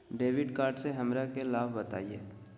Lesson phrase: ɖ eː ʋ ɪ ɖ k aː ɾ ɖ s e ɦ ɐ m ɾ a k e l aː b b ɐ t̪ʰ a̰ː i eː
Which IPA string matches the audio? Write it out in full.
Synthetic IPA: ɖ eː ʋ ɪ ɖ k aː ɾ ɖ s e ɦ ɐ m ɾ a k e l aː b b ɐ t̪ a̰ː i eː